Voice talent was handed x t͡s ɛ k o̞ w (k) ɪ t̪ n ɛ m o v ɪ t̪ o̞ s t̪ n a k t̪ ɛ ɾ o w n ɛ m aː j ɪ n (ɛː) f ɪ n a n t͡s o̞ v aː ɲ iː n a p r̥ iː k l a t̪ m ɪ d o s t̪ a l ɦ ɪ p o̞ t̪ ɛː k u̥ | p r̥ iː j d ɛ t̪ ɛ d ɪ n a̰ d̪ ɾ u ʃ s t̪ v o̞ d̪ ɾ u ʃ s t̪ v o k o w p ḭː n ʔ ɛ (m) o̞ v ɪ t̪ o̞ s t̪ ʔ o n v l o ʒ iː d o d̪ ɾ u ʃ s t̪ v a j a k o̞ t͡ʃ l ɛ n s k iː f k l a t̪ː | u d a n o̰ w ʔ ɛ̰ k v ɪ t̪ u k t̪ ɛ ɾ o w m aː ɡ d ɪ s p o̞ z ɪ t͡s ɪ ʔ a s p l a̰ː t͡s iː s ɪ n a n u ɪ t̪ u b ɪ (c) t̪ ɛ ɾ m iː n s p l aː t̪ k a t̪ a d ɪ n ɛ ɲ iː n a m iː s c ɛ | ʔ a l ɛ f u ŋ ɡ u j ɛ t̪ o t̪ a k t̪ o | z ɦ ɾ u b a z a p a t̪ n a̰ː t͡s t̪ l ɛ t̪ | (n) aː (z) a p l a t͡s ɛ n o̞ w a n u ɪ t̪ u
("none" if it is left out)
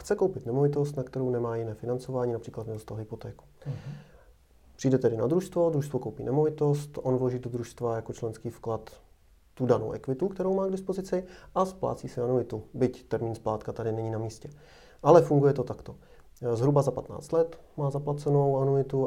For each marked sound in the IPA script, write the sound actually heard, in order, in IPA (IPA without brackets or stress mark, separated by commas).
p, ɛː, m, c, m, z